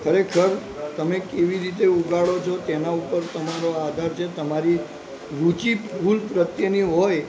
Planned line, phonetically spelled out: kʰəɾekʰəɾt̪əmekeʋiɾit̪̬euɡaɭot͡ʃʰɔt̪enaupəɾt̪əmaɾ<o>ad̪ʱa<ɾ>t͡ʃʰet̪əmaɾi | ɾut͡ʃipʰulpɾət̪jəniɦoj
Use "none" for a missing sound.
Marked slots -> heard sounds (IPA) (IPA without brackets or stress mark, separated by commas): o, ɾ